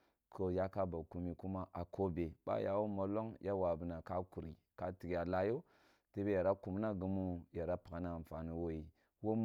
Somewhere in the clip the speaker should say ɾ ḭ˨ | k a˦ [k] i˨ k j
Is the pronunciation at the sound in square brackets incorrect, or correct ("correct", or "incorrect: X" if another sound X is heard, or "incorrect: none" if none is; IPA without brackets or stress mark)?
incorrect: t